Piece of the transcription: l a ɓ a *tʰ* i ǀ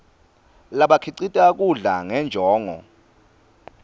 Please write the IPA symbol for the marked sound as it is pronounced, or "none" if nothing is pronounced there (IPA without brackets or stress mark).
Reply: kʰ